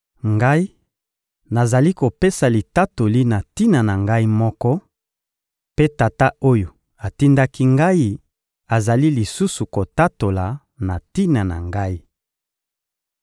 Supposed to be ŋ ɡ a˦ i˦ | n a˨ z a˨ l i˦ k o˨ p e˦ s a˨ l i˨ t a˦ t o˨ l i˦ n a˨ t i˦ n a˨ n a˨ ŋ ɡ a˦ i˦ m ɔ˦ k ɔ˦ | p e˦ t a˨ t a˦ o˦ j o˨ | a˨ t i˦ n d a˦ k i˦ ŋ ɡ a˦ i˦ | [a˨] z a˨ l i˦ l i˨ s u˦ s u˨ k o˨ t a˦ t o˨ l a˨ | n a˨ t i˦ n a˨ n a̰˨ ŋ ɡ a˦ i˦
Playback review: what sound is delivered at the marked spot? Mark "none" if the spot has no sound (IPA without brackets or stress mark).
a˨